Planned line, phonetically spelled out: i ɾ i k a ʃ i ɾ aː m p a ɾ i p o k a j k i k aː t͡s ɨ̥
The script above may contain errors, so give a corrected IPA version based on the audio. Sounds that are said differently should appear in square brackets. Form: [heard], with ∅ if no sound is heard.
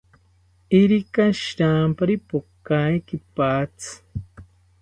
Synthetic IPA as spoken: i ɾ i k a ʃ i ɾ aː m p a ɾ i p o k a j k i [p] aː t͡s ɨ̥